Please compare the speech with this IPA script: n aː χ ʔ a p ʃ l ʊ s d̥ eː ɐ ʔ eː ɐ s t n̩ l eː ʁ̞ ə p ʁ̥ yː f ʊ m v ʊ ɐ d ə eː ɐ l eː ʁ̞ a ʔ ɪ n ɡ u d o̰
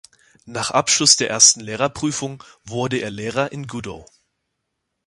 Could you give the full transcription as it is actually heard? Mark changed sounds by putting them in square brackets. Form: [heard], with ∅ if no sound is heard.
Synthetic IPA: n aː χ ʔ a p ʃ l ʊ s d̥ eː ɐ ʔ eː ɐ s t n̩ l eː ʁ̞ [ɐ] p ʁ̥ yː f ʊ [ŋ] v ʊ ɐ d ə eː ɐ l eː ʁ̞ [ɐ] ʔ ɪ n ɡ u d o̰